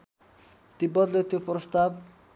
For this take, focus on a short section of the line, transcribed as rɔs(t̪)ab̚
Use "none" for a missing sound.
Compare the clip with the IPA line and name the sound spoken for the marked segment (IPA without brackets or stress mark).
t̪